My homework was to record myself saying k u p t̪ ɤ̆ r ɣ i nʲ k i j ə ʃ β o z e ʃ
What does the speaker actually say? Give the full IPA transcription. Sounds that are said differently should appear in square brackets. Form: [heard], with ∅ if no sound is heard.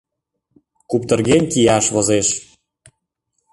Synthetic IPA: k u p t̪ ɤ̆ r ɣ [e] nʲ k i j [ɑ] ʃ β o z e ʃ